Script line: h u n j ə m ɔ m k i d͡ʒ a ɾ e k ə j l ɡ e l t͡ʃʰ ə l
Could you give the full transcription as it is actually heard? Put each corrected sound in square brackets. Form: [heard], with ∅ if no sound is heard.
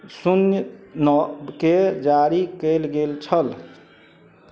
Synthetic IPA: [s] u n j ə [n] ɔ [b] k [e] d͡ʒ a ɾ [i] k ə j l ɡ e l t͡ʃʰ ə l